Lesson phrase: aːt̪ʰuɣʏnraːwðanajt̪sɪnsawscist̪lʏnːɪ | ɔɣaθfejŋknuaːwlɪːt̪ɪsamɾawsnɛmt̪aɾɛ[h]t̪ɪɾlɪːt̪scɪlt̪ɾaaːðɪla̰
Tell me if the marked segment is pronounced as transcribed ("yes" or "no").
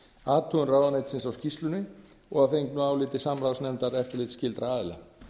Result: no